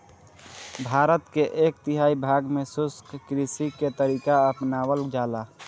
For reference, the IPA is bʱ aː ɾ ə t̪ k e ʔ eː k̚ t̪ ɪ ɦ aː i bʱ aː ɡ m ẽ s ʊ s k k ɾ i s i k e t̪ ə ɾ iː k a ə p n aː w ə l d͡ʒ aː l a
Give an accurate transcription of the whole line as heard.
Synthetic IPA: bʱ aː ɾ ə t̪ k e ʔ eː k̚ t̪ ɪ ɦ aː i bʱ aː ɡ m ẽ s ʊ s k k ɾ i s i k e t̪ ə ɾ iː k a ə p n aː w ə l d͡ʒ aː l a